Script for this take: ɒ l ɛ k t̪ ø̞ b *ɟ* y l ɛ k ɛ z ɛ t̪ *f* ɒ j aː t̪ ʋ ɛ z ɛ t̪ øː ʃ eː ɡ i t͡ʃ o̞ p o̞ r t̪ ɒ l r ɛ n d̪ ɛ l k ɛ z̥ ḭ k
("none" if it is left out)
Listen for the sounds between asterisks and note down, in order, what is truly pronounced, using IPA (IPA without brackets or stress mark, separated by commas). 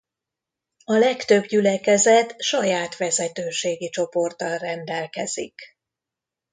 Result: ɟ, ʃ